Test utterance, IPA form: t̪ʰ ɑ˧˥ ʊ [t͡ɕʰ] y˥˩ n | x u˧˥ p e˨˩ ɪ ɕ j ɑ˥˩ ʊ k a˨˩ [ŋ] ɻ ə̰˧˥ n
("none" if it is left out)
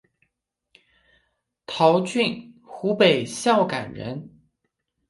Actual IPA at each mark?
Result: t͡ɕ, n

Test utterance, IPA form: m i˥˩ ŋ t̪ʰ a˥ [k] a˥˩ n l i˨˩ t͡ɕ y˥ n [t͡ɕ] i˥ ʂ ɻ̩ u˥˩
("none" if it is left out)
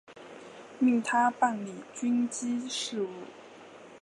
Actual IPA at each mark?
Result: p, t͡ɕ

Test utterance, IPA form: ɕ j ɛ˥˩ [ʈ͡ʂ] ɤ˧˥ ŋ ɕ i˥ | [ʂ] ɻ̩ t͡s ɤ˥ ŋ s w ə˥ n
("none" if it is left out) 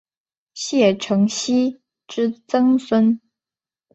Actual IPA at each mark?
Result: ʈ͡ʂʰ, ʈ͡ʂ

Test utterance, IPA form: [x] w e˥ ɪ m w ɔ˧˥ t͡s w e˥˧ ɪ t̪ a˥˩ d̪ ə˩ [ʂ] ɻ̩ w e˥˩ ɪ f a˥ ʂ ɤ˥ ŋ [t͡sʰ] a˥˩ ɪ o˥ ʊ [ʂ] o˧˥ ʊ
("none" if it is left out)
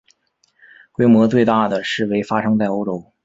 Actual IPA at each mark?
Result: k, ʂ, t͡s, ʈ͡ʂ

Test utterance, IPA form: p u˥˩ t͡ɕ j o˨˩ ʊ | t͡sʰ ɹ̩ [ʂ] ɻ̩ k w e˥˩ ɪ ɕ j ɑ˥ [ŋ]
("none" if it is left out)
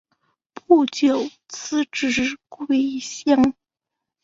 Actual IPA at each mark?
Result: ʈ͡ʂ, ŋ

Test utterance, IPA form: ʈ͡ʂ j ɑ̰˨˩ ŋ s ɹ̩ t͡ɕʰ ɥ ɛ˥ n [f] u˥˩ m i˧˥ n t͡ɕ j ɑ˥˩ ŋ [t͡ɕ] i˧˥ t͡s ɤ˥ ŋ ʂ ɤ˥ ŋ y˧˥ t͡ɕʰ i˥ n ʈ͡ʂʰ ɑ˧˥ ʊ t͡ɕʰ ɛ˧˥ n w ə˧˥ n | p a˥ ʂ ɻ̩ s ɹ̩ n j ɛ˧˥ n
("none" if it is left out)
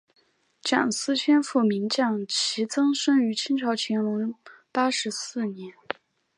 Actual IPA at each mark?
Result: f, t͡ɕʰ

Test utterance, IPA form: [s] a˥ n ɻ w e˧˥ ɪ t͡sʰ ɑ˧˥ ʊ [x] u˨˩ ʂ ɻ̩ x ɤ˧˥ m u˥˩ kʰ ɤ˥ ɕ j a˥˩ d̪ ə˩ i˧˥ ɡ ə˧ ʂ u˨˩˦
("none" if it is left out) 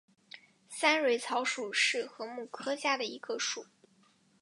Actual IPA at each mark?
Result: s, ʂ

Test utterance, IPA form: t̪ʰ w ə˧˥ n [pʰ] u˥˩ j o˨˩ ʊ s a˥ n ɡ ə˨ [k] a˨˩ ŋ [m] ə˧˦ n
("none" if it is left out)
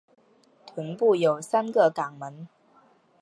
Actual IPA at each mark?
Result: p, k, m

